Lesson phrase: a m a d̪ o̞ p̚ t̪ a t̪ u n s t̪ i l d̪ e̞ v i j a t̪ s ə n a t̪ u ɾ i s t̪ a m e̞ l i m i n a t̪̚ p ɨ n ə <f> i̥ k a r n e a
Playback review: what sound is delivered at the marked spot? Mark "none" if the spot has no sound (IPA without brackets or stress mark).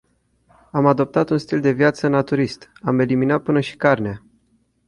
ʃ